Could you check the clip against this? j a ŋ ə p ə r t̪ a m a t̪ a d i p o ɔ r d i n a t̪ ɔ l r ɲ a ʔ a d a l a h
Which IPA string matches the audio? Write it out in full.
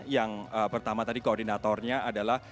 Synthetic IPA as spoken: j a ŋ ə p ə r t̪ a m a t̪ a d i k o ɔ r d i n a t̪ ɔ r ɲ a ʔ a d a l a h